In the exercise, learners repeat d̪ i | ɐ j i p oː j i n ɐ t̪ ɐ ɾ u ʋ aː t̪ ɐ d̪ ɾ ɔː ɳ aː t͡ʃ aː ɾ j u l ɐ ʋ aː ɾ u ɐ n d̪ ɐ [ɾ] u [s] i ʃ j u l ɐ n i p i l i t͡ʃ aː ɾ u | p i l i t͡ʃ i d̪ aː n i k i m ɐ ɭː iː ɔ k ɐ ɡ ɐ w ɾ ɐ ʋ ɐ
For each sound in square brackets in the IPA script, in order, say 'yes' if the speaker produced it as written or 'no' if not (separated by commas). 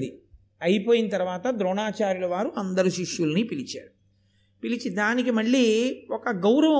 yes, no